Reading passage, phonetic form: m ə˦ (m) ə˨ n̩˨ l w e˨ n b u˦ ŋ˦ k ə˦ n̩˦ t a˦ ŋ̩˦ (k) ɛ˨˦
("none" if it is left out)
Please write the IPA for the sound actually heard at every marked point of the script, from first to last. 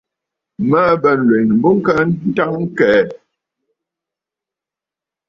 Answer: b, k

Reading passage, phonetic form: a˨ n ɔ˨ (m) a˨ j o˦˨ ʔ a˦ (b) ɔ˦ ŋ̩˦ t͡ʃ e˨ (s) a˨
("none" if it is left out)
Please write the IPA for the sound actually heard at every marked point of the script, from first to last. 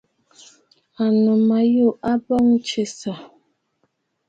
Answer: m, b, s

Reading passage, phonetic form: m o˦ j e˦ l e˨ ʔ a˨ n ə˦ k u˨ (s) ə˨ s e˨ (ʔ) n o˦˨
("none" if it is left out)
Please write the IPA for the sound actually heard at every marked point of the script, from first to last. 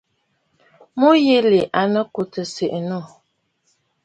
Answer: t, ʔ

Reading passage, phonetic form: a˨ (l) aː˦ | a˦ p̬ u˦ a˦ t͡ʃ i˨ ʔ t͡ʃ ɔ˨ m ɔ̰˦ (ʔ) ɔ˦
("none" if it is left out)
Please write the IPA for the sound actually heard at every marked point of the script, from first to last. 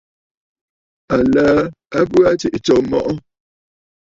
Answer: l, ʔ

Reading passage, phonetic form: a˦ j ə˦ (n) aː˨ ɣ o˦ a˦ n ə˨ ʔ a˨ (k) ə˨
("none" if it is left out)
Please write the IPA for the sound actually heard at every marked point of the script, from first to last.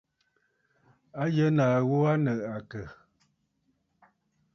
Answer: n, k

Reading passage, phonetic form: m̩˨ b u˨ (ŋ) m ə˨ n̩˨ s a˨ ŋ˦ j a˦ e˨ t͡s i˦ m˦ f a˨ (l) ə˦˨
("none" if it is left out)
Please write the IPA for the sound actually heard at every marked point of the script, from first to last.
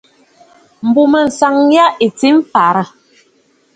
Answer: none, ɾ

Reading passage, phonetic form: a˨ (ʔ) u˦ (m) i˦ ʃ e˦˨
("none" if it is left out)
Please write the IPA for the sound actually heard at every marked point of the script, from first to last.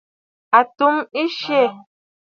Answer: t, m

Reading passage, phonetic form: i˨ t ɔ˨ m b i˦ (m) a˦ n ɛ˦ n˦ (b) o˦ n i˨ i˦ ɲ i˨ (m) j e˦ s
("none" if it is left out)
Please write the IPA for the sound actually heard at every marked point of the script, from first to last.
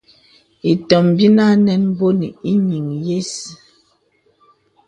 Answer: n, b, ŋ

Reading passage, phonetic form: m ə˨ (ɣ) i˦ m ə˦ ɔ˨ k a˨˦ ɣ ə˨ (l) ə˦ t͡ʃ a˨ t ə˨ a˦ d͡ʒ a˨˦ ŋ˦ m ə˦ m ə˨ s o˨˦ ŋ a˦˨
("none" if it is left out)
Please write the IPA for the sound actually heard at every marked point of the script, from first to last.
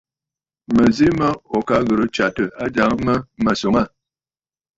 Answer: z, ɾ

